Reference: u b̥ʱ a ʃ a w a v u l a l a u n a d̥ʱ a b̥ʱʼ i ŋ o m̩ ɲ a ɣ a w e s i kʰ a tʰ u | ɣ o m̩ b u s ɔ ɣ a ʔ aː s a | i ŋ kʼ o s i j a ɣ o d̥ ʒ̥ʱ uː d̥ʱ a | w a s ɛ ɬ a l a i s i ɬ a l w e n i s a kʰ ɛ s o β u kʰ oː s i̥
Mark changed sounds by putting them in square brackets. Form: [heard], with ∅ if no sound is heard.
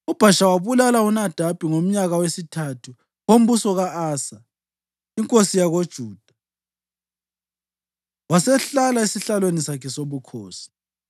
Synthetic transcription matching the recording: u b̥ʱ a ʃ a w a [β] u l a l a u n a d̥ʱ a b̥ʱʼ i ŋ o m̩ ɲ a ɣ a w e s i [tʰ] a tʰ u | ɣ o m̩ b u s ɔ ɣ a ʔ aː s a | i ŋ kʼ o s i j a ɣ o d̥ ʒ̥ʱ uː d̥ʱ a | w a s ɛ ɬ a l a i s i ɬ a l w e n i s a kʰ ɛ s o β u kʰ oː s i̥